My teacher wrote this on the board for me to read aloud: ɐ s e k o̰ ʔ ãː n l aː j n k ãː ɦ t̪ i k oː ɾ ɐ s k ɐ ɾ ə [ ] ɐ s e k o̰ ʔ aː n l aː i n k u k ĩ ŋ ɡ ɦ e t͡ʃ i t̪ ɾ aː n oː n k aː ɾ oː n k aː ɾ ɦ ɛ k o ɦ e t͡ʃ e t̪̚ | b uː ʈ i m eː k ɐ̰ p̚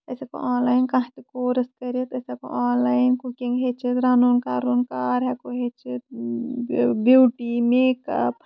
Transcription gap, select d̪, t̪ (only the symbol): t̪